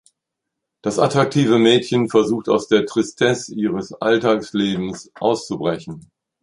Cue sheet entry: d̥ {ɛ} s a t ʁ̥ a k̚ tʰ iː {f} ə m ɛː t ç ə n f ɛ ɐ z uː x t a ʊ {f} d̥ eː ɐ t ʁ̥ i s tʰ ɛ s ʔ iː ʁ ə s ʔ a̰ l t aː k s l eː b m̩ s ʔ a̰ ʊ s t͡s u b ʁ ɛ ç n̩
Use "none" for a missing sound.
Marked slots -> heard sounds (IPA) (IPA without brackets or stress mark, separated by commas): a, v, s